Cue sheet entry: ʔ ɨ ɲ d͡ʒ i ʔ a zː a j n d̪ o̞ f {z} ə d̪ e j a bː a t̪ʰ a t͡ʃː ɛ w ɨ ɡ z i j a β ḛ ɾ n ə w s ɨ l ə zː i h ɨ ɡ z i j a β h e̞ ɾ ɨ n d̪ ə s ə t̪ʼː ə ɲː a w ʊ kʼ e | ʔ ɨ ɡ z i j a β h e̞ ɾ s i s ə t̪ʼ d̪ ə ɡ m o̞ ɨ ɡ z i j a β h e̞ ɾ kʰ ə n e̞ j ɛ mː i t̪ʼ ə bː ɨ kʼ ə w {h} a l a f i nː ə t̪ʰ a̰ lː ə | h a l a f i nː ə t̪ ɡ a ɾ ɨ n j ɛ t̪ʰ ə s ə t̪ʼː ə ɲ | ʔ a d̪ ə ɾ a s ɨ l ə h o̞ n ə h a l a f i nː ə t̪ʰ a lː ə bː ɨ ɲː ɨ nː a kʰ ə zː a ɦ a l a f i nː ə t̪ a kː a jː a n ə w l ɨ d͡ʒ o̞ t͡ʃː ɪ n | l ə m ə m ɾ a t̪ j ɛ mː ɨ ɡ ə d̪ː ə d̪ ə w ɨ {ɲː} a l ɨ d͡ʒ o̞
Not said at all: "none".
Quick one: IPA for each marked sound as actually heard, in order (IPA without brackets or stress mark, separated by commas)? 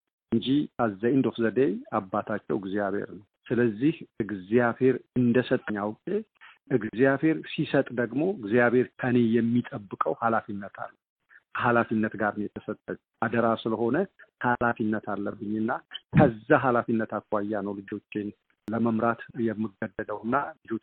z, h, nː